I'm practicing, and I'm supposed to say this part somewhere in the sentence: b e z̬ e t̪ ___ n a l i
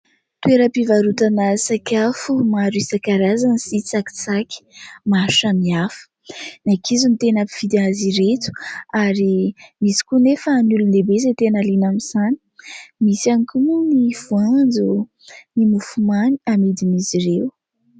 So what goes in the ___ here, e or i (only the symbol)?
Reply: e